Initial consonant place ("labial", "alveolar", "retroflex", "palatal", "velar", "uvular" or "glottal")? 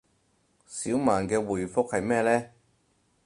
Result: alveolar